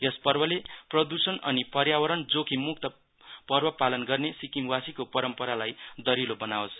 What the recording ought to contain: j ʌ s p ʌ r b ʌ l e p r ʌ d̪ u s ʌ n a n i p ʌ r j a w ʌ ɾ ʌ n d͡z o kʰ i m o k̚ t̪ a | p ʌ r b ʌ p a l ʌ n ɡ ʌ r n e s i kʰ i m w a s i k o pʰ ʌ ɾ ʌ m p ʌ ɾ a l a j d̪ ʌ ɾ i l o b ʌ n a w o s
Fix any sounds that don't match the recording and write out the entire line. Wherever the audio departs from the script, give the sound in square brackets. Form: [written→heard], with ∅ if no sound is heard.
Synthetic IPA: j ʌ s p ʌ r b ʌ l e p r ʌ d̪ u s ʌ n [a→ʌ] n i p ʌ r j a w ʌ ɾ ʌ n d͡z o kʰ i m [o→u] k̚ t̪ [a→ʌ] | p ʌ r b ʌ p a l ʌ n ɡ ʌ r n e s i [kʰ→k] i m w a s i k o [pʰ→p] ʌ ɾ ʌ m p ʌ ɾ a l a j d̪ ʌ ɾ i l o b ʌ n a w o s